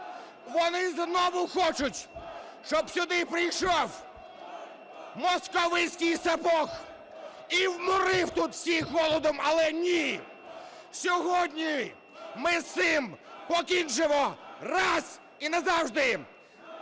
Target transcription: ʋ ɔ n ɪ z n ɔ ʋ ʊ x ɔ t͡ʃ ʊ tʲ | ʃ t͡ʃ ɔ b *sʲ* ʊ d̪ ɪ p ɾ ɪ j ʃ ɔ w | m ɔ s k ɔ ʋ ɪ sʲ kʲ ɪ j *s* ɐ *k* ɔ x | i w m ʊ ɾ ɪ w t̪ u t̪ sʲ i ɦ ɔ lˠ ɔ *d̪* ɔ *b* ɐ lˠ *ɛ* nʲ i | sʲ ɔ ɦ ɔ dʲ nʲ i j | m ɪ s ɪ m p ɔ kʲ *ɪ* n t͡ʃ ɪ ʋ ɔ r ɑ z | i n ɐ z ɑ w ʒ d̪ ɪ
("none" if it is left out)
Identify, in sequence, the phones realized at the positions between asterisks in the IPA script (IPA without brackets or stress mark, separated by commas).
sʲ, s, p, d̪, m, ɛ, i